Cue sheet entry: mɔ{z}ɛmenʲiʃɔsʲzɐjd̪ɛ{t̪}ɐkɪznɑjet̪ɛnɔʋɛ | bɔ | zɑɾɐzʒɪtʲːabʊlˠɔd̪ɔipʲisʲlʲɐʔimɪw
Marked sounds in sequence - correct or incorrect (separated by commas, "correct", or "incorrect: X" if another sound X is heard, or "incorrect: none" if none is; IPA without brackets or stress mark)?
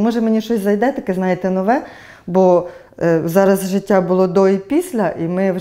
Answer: incorrect: ʒ, correct